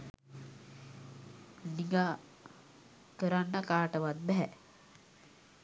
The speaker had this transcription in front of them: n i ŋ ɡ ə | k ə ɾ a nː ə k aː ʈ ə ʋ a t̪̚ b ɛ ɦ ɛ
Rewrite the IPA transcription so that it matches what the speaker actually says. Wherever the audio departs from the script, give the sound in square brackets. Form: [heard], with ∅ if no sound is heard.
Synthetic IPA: n i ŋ ɡ [a] | k ə ɾ a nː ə k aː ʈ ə ʋ a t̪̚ b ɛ ɦ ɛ